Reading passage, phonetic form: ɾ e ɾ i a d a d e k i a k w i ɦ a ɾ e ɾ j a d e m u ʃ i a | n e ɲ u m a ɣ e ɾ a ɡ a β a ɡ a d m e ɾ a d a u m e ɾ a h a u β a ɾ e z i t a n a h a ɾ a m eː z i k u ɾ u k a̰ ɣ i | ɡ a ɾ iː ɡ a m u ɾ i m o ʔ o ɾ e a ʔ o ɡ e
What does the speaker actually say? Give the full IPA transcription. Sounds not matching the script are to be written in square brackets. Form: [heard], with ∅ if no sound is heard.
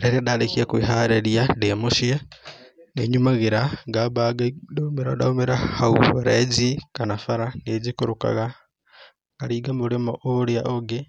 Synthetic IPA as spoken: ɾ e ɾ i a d a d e k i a k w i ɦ a ɾ e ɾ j a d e m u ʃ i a | n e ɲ u m a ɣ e ɾ a ɡ a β a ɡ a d m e ɾ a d a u m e ɾ a h a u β a ɾ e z i [k] a n a [f] a ɾ a [n] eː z i k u ɾ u k a̰ ɣ [a] | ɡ a ɾ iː ɡ a m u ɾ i m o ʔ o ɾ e a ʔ o ɡ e